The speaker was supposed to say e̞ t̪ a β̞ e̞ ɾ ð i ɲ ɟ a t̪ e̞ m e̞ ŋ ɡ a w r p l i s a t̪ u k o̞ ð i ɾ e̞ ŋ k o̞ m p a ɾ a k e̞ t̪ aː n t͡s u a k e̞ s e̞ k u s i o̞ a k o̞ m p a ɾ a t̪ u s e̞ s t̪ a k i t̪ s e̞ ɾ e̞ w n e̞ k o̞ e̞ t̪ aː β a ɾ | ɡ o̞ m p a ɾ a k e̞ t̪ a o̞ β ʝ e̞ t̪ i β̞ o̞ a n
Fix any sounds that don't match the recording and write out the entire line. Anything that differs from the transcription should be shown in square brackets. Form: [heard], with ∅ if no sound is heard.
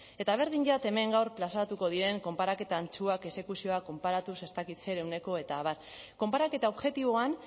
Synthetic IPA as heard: e̞ t̪ a β̞ e̞ ɾ ð i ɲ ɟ a t̪ e̞ m e̞ ŋ ɡ a w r p l [a] s a t̪ u k o̞ ð i ɾ e̞ ŋ k o̞ m p a ɾ a k e̞ t̪ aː n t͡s u a k e̞ s e̞ k u s i o̞ a k o̞ m p a ɾ a t̪ u s e̞ s t̪ a k i t̪ s e̞ ɾ e̞ w n e̞ k o̞ e̞ t̪ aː β a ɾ | [k] o̞ m p a ɾ a k e̞ t̪ a o̞ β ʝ e̞ t̪ i β̞ o̞ a n